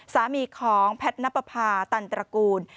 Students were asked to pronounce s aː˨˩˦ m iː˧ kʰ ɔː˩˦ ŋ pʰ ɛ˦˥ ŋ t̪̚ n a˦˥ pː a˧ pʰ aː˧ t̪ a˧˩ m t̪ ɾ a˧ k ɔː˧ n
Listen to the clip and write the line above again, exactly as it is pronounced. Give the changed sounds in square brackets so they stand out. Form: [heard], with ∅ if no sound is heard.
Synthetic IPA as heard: s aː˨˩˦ m iː˧ kʰ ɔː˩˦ ŋ pʰ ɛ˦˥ [∅] t̪̚ n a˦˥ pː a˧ pʰ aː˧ t̪ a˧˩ [n] t̪ ɾ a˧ k [uː˧] n